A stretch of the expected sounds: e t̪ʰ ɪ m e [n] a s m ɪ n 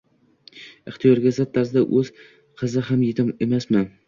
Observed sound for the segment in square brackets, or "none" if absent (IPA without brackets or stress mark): m